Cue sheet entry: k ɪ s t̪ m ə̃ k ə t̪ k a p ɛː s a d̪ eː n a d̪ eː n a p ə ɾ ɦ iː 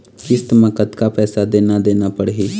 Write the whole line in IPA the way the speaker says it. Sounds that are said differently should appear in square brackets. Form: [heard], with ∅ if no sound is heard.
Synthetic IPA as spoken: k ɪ s t̪ m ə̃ k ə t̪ k a p ɛː s a d̪ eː n a d̪ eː n a p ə [ɽ] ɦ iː